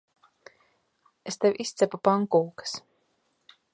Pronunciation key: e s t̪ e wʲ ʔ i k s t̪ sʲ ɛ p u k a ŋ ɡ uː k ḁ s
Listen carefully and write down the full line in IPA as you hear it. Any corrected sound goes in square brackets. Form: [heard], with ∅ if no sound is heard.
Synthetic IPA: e s t̪ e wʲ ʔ i [∅] s t̪ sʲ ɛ p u [p] a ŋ [k] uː k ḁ s